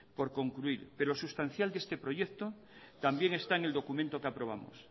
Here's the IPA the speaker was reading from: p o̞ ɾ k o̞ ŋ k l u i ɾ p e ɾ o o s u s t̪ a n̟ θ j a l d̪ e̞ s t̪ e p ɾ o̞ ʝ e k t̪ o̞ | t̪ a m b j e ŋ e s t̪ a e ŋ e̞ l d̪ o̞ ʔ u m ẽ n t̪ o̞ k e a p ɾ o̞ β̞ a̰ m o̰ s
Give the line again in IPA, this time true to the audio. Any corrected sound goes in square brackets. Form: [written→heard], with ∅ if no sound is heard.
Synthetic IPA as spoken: p o̞ ɾ k o̞ ŋ k l u i ɾ p e ɾ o o s u s t̪ a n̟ θ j a l d̪ e̞ s t̪ e p ɾ o̞ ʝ e k t̪ o̞ | t̪ a m b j e ŋ e s t̪ a e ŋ e̞ l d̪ o̞ [ʔ→k] u m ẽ n t̪ o̞ k e a p ɾ o̞ β̞ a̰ m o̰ s

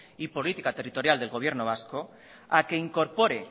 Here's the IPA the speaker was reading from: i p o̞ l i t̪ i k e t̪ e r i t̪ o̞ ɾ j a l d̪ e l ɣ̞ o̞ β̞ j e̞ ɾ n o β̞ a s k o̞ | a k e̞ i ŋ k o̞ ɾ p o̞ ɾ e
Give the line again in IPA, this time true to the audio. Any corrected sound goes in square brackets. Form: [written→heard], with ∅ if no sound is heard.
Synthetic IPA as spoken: i p o̞ l i t̪ i k [e→a] t̪ e r i t̪ o̞ ɾ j a l d̪ e l ɣ̞ o̞ β̞ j e̞ ɾ n o β̞ a s k o̞ | a k e̞ i ŋ k o̞ ɾ p o̞ ɾ e

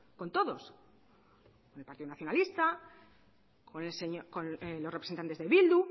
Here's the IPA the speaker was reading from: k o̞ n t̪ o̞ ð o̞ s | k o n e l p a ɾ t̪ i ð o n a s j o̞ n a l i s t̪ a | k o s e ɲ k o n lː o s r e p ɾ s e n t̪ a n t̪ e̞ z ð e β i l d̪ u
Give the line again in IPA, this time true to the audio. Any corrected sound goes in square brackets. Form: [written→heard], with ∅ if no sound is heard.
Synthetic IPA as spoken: k o̞ n t̪ o̞ ð o̞ s | k o n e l p a ɾ t̪ i ð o n a [s→θ] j o̞ n a l i s t̪ a | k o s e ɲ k o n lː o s r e p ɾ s e n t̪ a n t̪ e̞ z ð e β i l d̪ u

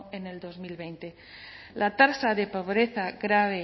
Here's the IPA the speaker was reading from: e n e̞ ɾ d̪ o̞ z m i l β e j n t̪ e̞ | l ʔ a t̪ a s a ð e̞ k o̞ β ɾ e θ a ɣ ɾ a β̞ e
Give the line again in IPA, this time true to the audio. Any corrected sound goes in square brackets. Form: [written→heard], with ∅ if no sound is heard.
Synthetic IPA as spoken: e n e̞ [ɾ→l] d̪ o̞ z m i l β e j n t̪ e̞ | l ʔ a t̪ a s a ð e̞ [k→p] o̞ β ɾ e θ a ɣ ɾ a β̞ e

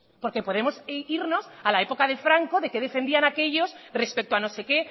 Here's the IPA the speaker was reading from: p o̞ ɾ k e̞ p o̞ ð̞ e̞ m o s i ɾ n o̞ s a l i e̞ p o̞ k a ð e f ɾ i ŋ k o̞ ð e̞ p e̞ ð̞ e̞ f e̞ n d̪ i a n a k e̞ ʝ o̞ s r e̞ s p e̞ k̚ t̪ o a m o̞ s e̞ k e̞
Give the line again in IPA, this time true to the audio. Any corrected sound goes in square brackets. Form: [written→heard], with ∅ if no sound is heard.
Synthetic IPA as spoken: p o̞ ɾ k e̞ p o̞ ð̞ e̞ m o s i ɾ n o̞ s a l [i→a] e̞ p o̞ k a ð e f ɾ [i→a] ŋ k o̞ ð e̞ [p→k] e̞ ð̞ e̞ f e̞ n d̪ i a n a k e̞ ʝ o̞ s r e̞ s p e̞ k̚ t̪ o a [m→n] o̞ s e̞ k e̞

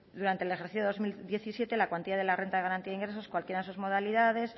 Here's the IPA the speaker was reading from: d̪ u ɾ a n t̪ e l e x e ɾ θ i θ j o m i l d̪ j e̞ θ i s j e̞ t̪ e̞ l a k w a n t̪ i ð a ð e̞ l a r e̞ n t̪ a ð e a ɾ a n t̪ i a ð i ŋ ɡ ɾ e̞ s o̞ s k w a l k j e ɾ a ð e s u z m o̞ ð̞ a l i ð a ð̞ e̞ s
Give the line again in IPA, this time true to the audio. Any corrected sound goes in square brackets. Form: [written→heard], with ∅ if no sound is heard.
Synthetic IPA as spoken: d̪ u ɾ a n t̪ e l e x e ɾ θ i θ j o m i l d̪ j e̞ θ i s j e̞ t̪ e̞ l a k w a n t̪ i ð a ð e̞ l a r e̞ n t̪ a ð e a ɾ a n t̪ i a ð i ŋ ɡ ɾ e̞ s o̞ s k w a l k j e ɾ a ð e s u z m o̞ ð̞ a l i ð a ð̞ e̞ s

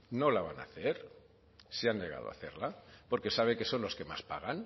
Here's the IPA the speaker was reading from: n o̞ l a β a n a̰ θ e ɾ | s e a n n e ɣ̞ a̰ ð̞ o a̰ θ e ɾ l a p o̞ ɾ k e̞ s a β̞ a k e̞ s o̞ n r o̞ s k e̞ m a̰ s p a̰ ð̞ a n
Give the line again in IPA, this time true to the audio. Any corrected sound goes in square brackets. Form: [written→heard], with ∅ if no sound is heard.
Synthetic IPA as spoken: n o̞ l a β a n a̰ θ e ɾ | s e a n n e ɣ̞ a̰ ð̞ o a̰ θ e ɾ l a p o̞ ɾ k e̞ s a β̞ [a→e] k e̞ s o̞ n [r→l] o̞ s k e̞ m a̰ s p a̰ [ð̞→ɣ̞] a n

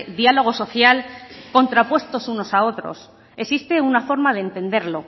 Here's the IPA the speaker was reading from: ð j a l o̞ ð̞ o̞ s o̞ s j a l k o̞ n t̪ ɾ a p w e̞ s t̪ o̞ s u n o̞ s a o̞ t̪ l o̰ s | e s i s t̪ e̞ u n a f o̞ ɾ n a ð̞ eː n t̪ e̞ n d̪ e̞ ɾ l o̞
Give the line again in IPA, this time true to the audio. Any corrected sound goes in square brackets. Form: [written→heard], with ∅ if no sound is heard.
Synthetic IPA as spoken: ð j a l o̞ [ð̞→ɣ̞] o̞ s o̞ [s→θ] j a l k o̞ n t̪ ɾ a p w e̞ s t̪ o̞ s u n o̞ s a o̞ t̪ [l→ɾ] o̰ s | e s i s t̪ e̞ u n a f o̞ ɾ [n→m] a ð̞ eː n t̪ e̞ n d̪ e̞ ɾ l o̞

